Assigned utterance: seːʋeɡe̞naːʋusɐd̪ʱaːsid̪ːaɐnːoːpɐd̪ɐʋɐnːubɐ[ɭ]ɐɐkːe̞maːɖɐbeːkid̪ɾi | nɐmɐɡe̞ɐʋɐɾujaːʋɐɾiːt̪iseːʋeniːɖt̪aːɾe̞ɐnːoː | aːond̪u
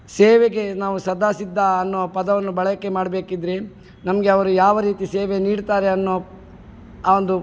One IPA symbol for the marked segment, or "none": ɭ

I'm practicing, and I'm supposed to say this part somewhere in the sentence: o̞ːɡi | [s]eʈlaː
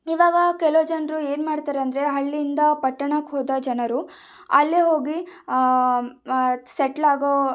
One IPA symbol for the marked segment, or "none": s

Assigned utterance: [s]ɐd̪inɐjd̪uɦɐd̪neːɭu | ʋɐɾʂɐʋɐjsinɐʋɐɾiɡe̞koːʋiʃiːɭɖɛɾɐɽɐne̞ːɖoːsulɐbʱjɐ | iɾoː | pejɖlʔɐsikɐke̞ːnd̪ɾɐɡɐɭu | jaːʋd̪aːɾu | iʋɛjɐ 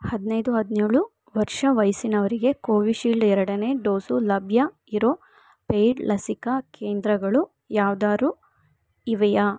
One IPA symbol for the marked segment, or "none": h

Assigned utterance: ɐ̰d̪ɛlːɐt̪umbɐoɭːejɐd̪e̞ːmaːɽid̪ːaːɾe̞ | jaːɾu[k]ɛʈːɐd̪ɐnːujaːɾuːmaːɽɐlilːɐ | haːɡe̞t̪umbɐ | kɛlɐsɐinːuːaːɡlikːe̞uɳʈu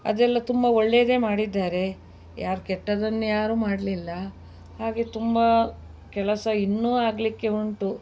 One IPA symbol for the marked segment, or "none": k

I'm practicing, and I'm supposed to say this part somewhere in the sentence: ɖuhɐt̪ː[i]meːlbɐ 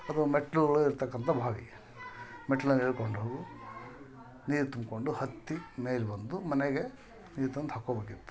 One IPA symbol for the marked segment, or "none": i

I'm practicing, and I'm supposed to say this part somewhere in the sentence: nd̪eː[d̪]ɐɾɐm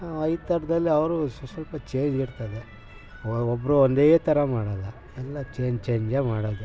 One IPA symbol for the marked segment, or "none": t̪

